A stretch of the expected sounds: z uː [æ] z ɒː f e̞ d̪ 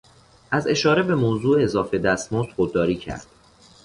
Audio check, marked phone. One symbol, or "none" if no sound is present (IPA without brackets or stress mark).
e